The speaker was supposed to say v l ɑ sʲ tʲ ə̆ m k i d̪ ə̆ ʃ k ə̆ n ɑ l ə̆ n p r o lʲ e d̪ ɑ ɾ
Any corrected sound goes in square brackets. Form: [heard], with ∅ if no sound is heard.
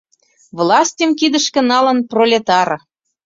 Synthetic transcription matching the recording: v l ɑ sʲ tʲ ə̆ m k i d̪ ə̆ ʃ k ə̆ n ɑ l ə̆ n p r o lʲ e [t̪] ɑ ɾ